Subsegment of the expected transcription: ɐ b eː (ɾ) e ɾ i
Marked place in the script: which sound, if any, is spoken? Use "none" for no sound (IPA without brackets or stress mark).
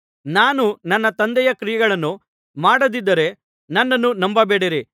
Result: ɽ